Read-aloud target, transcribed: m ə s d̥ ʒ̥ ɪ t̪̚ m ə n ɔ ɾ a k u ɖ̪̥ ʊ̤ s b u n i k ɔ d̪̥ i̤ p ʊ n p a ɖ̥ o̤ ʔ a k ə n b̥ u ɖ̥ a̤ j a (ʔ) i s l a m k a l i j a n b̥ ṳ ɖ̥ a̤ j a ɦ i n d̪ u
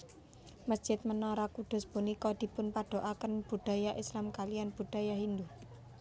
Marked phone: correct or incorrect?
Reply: correct